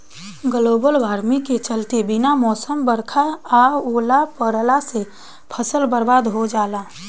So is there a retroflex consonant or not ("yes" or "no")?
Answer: no